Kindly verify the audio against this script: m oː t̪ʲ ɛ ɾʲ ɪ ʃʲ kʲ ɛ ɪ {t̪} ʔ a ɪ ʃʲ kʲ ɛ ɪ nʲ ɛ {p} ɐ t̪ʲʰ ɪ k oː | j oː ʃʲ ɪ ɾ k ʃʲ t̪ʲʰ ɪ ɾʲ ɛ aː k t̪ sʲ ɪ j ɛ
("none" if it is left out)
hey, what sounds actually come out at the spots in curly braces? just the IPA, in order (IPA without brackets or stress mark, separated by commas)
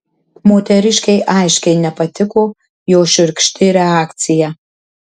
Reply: none, p